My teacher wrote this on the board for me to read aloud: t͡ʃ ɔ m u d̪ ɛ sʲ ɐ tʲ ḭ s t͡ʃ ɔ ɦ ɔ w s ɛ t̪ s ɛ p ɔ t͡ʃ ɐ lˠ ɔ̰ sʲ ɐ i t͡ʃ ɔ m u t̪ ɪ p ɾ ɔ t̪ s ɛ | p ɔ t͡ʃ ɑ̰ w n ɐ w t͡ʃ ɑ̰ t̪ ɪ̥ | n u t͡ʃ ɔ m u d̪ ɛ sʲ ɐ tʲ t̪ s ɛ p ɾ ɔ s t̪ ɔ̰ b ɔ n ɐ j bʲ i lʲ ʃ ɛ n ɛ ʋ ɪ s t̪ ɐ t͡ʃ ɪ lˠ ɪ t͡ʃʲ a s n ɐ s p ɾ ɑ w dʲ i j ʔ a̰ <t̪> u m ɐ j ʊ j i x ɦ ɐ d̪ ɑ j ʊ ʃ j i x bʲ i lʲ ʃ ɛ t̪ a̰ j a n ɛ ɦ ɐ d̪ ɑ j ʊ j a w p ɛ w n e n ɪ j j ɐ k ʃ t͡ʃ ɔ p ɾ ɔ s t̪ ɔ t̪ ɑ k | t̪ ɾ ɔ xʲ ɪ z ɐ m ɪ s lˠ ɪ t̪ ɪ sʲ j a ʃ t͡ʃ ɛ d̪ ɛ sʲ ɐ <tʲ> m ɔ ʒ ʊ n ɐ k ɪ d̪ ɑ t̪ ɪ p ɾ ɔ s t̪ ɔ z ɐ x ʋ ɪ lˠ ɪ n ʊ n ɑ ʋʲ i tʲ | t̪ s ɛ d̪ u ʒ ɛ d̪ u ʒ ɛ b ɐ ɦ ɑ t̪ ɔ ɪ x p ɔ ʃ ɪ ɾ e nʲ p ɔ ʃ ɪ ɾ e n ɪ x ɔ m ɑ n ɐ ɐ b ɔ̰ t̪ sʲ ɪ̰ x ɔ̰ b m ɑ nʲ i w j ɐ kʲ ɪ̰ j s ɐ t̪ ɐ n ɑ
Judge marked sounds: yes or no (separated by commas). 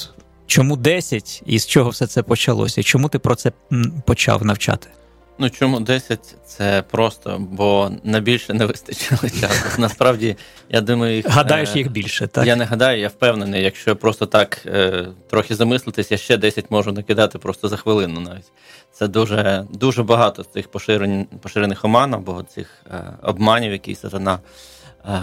no, yes